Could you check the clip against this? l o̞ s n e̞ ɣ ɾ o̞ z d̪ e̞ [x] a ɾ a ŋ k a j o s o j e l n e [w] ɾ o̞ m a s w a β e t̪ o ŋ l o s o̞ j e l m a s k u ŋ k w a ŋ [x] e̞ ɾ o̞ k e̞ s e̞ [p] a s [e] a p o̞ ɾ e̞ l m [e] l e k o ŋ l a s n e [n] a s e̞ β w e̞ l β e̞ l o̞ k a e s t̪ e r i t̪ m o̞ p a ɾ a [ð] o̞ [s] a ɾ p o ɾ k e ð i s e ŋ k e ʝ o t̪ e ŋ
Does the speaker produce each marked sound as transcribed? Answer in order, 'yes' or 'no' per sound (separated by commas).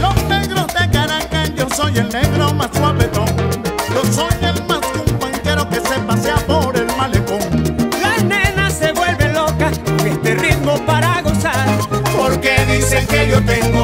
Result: no, no, no, yes, yes, no, yes, no, yes